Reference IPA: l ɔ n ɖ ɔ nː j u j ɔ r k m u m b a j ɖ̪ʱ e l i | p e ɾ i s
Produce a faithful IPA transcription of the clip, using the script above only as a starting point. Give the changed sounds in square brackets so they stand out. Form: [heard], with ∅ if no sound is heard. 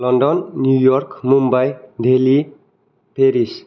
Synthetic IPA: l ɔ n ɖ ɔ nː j u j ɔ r k m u m b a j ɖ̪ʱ e l i | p e ɾ i s